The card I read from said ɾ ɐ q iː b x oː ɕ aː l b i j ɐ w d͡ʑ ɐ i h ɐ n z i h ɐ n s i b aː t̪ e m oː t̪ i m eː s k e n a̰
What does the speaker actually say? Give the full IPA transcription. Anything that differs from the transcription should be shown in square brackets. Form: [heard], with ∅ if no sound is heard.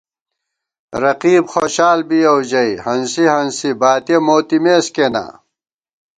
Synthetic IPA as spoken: ɾ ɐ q iː b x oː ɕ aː l b i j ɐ w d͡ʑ ɐ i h ɐ n [s] i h ɐ n s i b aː t̪ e m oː t̪ i m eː s k e n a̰